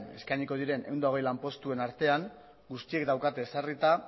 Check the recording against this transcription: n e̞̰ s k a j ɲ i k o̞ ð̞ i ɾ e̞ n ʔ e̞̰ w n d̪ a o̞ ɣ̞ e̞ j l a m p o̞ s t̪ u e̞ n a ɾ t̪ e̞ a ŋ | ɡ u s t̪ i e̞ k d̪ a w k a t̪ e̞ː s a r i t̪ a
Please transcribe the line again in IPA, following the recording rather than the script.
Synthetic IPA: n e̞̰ s k a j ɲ i k o̞ ð̞ i ɾ e̞ n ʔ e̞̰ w n d̪ a o̞ ɣ̞ e̞ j l a m p o̞ s t̪ u e̞ n a ɾ t̪ e̞ a ŋ | ɡ u s t̪ i e̞ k d̪ a w k a t̪ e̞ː s a r i t̪ a

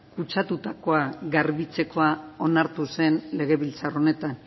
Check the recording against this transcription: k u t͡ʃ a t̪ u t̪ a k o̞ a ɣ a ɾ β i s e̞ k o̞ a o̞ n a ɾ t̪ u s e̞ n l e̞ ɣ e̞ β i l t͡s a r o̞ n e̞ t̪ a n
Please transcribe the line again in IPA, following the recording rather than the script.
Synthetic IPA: k u t͡ʃ a t̪ u t̪ a k o̞ a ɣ a ɾ β i t͡s e̞ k o̞ a o̞ n a ɾ t̪ u s e̞ n l e̞ ɣ e̞ β i l t͡s a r o̞ n e̞ t̪ a n

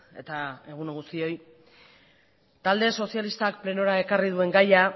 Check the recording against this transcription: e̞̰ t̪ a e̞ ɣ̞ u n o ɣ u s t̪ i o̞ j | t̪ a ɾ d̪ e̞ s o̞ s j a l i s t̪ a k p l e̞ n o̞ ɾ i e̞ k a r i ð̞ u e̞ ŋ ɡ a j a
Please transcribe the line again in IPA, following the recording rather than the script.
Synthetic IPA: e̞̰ t̪ a e̞ ɣ̞ u n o ɣ u s t̪ i o̞ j | t̪ a l d̪ e̞ s o̞ s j a l i s t̪ a k p l e̞ n o̞ ɾ a e̞ k a r i ð̞ u e̞ ŋ ɡ a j a

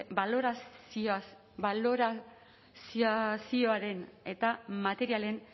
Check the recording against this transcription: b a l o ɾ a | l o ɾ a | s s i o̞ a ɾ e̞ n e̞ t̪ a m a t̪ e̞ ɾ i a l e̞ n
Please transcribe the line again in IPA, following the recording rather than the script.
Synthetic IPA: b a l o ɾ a | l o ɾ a | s s i o̞ a ɾ e̞ n e̞ t̪ a m a t̪ e̞ ɾ i a l e̞ n

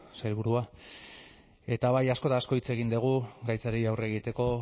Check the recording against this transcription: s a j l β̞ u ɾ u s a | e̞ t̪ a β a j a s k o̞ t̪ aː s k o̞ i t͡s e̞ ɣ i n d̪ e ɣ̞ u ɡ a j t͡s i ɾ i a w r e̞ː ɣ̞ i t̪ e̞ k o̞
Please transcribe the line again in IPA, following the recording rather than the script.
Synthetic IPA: s a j l β̞ u ɾ u a | e̞ t̪ a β a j a s k o̞ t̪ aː s k o̞ i t͡s e̞ ɣ i n d̪ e ɣ̞ u ɡ a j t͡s a ɾ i a w r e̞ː ɣ̞ i t̪ e̞ k o̞

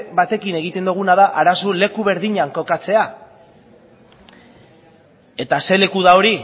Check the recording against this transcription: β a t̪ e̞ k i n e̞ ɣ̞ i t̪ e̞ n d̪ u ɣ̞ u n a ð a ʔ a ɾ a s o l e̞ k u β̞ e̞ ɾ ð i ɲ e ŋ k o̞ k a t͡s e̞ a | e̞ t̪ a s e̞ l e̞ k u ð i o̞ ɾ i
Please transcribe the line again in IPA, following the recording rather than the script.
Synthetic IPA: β a t̪ e̞ k i n e̞ ɣ̞ i t̪ e̞ n d̪ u ɣ̞ u n a ð a ʔ a ɾ a s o l e̞ k u β̞ e̞ ɾ ð i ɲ a ŋ k o̞ k a t͡s e̞ a | e̞ t̪ a s e̞ l e̞ k u ð a o̞ ɾ i

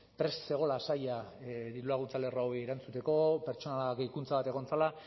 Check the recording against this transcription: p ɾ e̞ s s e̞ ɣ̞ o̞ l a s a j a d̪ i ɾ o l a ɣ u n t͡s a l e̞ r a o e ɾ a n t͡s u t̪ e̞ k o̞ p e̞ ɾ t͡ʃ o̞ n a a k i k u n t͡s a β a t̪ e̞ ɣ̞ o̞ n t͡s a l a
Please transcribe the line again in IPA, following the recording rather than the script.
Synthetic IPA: p ɾ e̞ s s e̞ ɣ̞ o̞ l a s a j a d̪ i ɾ u l a ɣ u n t͡s a l e̞ r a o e ɾ a n t͡s u t̪ e̞ k o̞ p e̞ ɾ t͡ʃ o̞ n a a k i k u n t͡s a β a t̪ e̞ ɣ̞ o̞ n t͡s a l a

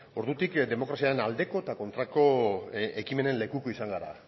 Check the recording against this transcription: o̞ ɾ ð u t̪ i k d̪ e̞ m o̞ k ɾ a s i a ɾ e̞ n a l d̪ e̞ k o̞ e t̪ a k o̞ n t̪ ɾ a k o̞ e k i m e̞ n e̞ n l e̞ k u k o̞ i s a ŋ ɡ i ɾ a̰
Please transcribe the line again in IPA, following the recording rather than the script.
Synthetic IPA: o̞ ɾ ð u t̪ i k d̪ e̞ m o̞ k ɾ a s i a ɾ e̞ n a l d̪ e̞ k o̞ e t̪ a k o̞ n t̪ ɾ a k o̞ e k i m e̞ n e̞ n l e̞ k u k o̞ i s a ŋ ɡ a ɾ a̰

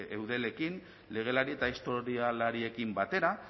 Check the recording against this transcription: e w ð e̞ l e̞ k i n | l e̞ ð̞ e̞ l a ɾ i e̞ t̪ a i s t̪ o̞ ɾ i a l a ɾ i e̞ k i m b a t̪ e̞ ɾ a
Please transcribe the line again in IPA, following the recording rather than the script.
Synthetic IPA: e w ð e̞ l e̞ k i n | l e̞ ɣ̞ e̞ l a ɾ i e̞ t̪ a i s t̪ o̞ ɾ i a l a ɾ i e̞ k i m b a t̪ e̞ ɾ a

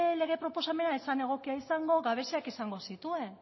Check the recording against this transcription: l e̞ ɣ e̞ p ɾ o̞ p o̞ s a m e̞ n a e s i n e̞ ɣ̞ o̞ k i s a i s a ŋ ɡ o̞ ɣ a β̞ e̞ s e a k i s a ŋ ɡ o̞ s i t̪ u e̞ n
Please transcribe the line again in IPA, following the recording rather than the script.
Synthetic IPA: l e̞ ɣ e̞ p ɾ o̞ p o̞ s a m e̞ n a e s a n e̞ ɣ̞ o̞ k i a i s a ŋ ɡ o̞ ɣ a β̞ e̞ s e a k i s a ŋ ɡ o̞ s i t̪ u e̞ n

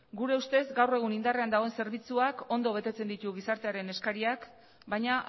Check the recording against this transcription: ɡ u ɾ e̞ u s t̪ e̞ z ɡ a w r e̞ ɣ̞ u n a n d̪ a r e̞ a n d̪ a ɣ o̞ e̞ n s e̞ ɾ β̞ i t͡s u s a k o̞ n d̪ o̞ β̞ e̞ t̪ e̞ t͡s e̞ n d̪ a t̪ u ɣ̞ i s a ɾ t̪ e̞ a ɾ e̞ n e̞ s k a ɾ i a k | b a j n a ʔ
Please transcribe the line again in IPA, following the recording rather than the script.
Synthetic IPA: ɡ u ɾ e̞ u s t̪ e̞ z ɡ a w r e̞ ɣ̞ u n i n d̪ a r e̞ a n d̪ a ɣ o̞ e̞ n s e̞ ɾ β̞ i t͡s u a k o̞ n d̪ o̞ β̞ e̞ t̪ e̞ t͡s e̞ n d̪ i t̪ u ɣ̞ i s a ɾ t̪ e̞ a ɾ e̞ n e̞ s k a ɾ i a k | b a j ɲ a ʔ

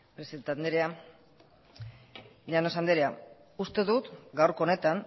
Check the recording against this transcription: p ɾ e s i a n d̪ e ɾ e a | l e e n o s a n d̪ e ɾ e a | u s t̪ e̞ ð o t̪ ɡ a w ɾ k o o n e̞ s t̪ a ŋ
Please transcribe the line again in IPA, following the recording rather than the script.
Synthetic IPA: p ɾ e s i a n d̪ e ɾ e a | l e a n o s a n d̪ e ɾ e a | u s t̪ e̞ ð u t̪ ɡ a w ɾ k o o n e̞ t̪ a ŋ

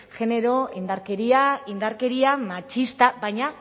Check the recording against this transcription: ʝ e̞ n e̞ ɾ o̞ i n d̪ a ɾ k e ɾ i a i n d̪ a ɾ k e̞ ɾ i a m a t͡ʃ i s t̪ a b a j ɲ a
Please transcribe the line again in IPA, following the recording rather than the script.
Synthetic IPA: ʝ e̞ n e̞ ɾ o̞ i n d̪ a ɾ k e ɾ i a i n d̪ a ɾ k e̞ ɾ i a m a t͡ʃ i s t̪ a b a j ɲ a

